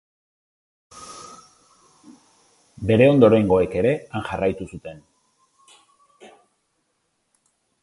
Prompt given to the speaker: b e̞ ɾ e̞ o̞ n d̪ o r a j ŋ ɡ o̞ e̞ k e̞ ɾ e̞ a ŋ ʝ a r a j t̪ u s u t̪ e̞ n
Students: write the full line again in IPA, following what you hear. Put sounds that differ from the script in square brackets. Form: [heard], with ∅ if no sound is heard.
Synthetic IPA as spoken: b e̞ ɾ e̞ o̞ n d̪ o [ɾ] a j ŋ ɡ o̞ e̞ k e̞ ɾ e̞ a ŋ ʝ a r a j t̪ u s u t̪ e̞ n